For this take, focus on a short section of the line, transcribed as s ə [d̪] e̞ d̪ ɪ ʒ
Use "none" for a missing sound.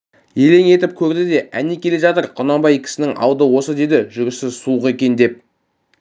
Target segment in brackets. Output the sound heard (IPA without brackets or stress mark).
d̪